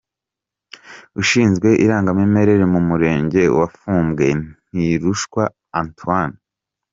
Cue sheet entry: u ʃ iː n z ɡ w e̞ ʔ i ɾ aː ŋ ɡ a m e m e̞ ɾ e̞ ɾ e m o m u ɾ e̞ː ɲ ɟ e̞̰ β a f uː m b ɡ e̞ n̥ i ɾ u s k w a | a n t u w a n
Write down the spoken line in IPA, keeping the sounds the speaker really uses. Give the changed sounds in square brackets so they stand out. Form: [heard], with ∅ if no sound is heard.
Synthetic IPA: u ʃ iː n z ɡ w e̞ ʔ i ɾ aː ŋ ɡ a m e m e̞ ɾ e̞ ɾ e m [u] m u ɾ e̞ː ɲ ɟ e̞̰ [w] a f uː m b ɡ e̞ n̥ i ɾ u [ʃ] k w a | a n t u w a n